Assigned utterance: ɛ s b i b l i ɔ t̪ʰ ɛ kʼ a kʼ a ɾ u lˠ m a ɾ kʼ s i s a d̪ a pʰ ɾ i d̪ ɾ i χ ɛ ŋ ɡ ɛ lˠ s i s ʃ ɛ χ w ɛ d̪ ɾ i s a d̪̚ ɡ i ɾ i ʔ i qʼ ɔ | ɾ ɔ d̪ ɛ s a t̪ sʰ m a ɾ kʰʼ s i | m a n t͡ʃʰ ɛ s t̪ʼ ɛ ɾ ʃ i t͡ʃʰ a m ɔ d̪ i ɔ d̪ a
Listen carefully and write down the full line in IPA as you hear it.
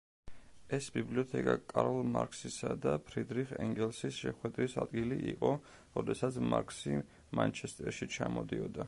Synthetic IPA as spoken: ɛ s b i b l i ɔ t̪ʰ ɛ kʼ a kʼ a ɾ ɔ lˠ m a ɾ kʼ s i s a d̪ a pʰ ɾ i d̪ ɾ i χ ɛ ŋ ɡ ɛ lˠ s i s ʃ ɛ χ w ɛ d̪ ɾ i s a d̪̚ ɡ i l i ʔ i qʼ ɔ | ɾ ɔ d̪ ɛ s a t̪ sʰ m a ɾ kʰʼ s i | m a n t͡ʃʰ ɛ s t̪ʼ ɛ ɾ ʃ i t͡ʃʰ a m ɔ d̪ i ɔ d̪ a